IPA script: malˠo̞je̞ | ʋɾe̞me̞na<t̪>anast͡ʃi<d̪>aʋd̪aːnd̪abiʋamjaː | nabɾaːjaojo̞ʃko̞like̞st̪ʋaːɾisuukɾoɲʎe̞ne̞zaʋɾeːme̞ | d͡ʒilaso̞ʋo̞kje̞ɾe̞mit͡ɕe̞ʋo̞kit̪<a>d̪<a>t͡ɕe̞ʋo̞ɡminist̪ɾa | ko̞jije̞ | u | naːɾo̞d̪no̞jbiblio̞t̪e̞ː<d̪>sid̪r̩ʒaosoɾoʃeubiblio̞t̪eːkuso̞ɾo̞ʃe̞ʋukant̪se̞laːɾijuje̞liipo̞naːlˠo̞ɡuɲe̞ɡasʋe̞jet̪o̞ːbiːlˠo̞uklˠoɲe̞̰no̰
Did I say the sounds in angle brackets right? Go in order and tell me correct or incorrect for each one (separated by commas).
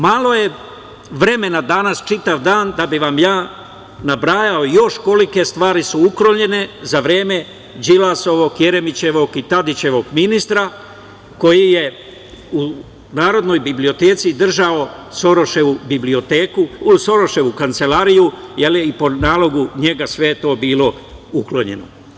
incorrect, incorrect, correct, incorrect, incorrect